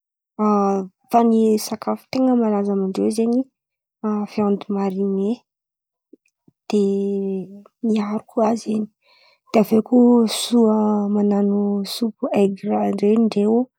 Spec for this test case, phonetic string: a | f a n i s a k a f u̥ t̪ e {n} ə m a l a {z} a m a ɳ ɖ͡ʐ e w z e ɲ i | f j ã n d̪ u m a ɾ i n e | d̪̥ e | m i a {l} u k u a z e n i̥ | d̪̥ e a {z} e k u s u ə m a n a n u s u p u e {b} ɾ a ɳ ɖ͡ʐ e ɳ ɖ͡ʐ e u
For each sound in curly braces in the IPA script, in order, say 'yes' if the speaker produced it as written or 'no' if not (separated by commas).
no, yes, no, no, no